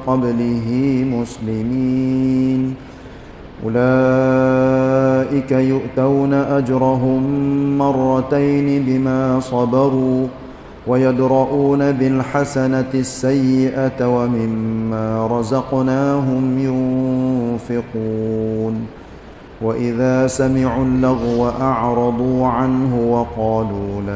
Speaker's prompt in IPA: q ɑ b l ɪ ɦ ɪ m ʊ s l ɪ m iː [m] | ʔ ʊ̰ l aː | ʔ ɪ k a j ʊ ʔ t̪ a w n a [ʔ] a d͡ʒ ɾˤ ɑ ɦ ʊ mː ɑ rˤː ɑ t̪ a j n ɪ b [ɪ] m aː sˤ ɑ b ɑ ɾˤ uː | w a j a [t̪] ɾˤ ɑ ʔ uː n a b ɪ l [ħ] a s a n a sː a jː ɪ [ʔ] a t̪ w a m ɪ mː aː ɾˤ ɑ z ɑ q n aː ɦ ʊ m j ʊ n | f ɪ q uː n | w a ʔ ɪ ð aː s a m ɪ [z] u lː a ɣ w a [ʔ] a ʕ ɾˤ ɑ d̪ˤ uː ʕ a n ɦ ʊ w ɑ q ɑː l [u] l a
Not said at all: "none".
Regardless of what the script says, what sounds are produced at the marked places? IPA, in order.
n, ʔ, ɪ, d̪, ħ, ʔ, ʕ, ʔ, uː

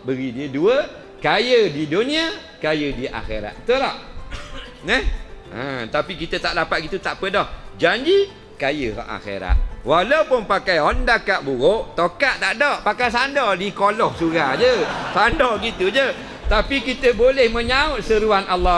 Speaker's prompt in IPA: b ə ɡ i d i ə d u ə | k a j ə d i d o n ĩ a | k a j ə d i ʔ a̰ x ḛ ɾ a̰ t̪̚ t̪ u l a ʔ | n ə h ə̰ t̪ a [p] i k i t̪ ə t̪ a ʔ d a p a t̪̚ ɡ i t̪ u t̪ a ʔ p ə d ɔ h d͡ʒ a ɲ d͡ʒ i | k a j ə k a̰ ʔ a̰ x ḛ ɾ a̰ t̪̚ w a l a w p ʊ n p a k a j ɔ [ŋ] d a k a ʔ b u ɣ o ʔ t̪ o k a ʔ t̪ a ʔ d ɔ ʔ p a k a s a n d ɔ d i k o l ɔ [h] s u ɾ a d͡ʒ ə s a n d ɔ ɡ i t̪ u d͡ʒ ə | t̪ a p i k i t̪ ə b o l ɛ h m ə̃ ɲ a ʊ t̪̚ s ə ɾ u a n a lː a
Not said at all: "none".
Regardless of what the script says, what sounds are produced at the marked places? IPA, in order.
p, n, h

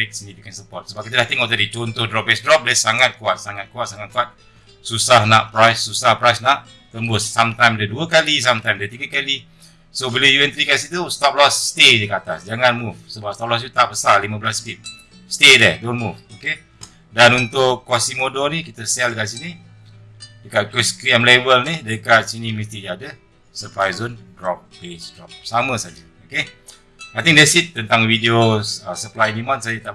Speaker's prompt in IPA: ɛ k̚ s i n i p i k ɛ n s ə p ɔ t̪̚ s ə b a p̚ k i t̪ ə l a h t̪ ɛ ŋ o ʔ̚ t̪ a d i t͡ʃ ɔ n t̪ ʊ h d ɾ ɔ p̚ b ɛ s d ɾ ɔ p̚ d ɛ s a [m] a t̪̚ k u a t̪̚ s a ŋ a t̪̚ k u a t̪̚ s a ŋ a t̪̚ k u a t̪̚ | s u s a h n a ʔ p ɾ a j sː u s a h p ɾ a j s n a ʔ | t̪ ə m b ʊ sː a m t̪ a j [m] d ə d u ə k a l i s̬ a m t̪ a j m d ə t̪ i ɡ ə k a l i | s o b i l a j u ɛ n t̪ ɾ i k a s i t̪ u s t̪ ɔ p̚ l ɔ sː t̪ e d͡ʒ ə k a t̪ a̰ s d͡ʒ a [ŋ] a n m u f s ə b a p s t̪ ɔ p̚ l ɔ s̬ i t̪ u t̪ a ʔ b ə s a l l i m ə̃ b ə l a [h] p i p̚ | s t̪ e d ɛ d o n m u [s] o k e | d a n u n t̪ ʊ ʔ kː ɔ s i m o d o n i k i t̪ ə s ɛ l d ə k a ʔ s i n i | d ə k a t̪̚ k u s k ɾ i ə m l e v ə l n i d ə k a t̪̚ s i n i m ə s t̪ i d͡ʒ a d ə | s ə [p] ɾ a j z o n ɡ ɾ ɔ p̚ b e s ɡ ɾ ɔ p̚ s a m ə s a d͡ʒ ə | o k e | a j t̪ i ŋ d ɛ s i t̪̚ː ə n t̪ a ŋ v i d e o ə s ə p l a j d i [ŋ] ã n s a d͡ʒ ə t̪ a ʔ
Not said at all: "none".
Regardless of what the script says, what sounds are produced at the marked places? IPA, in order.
ŋ, m, ŋ, s, f, p, m

